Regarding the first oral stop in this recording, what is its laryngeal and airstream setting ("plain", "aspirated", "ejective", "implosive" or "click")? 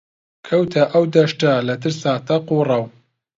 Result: aspirated